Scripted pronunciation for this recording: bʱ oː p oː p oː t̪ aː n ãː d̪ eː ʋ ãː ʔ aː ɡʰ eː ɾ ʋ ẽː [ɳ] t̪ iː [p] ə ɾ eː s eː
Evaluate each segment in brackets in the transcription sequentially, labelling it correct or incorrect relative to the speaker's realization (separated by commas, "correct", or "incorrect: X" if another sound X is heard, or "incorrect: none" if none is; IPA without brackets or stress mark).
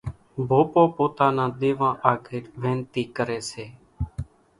incorrect: n, incorrect: k